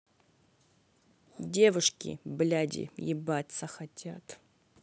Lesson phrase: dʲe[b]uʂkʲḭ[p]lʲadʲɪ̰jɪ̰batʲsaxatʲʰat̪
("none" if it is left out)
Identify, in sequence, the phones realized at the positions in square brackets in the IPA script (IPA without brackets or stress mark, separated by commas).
v, b